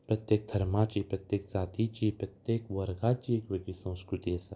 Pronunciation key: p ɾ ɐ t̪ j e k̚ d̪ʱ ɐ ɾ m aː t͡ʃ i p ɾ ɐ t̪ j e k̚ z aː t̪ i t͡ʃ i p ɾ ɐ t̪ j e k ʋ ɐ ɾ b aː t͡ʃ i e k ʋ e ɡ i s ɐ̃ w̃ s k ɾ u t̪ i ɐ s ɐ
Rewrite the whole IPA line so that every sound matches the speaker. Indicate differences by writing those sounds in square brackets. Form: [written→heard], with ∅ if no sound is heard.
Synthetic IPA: p ɾ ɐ t̪ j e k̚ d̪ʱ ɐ ɾ m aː t͡ʃ i p ɾ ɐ t̪ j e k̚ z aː t̪ i t͡ʃ i p ɾ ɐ t̪ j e k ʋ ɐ ɾ [b→ɡ] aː t͡ʃ i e k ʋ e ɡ i s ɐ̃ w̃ s k ɾ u t̪ i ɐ s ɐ